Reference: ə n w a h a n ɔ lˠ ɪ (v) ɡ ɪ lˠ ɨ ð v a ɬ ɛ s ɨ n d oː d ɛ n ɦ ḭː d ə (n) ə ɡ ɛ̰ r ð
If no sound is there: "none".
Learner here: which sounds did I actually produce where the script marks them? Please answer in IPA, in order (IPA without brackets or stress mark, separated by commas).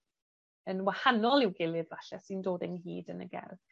w, n